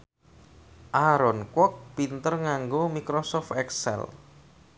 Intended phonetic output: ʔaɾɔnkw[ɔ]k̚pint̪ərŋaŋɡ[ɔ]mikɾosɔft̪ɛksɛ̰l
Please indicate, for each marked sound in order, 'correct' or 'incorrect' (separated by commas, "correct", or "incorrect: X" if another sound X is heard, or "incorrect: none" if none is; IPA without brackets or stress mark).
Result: correct, incorrect: o